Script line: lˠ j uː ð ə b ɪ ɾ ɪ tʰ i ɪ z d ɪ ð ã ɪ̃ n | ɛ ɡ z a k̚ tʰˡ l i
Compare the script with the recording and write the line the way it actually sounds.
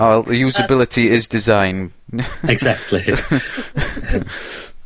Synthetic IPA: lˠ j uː z ə b ɪ l ɪ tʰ i ɪ z d ɪ z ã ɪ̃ n | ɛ ɡ z a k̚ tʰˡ l i